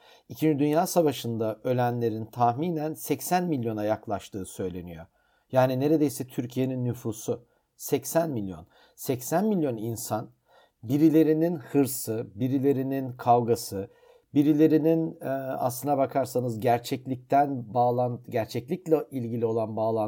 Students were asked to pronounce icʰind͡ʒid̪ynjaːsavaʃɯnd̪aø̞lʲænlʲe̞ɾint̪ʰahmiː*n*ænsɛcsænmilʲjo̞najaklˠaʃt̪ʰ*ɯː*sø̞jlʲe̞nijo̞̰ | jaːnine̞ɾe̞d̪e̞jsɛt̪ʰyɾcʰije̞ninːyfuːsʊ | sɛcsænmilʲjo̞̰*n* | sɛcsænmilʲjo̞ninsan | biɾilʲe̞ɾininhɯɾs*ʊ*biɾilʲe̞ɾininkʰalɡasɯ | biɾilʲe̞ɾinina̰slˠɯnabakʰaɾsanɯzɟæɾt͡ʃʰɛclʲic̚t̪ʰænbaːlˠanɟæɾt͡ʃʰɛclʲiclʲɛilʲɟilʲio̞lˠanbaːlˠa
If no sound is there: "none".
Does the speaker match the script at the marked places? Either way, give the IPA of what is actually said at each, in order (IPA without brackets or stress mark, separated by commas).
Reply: n, ɯː, n, ɯ